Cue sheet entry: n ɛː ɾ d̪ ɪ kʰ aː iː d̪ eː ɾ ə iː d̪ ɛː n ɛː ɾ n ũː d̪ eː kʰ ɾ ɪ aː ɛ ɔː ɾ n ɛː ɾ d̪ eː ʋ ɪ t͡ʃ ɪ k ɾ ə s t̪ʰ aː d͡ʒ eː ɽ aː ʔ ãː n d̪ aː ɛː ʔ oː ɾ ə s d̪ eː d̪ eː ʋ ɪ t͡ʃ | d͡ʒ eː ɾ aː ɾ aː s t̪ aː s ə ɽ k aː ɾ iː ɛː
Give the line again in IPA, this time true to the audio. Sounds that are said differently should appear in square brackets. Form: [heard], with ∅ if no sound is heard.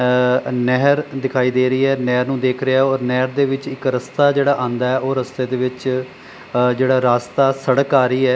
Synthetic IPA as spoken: n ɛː ɾ d̪ ɪ kʰ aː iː d̪ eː ɾ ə iː [∅] ɛː n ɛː ɾ n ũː d̪ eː kʰ ɾ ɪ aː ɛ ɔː ɾ n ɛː ɾ d̪ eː ʋ ɪ t͡ʃ ɪ k ɾ ə s [t̪] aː d͡ʒ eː ɽ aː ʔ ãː n d̪ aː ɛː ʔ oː ɾ ə s [t̪] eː d̪ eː ʋ ɪ t͡ʃ | d͡ʒ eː [ɽ] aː ɾ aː s t̪ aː s ə ɽ k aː ɾ iː ɛː